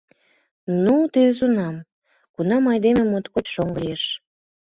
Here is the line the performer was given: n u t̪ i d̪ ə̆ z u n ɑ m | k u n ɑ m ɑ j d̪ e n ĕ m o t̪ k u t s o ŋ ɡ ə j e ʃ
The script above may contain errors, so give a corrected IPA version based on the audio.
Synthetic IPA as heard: n u t̪ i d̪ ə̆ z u n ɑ m | k u n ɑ m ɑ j d̪ e m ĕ m o t̪ k o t ʃ o ŋ ɡ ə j e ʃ